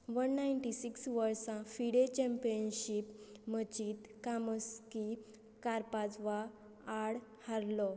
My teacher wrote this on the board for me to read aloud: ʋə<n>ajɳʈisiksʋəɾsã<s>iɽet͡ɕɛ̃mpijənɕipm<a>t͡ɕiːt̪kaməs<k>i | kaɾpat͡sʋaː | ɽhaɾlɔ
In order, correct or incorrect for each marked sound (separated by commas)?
incorrect, incorrect, incorrect, correct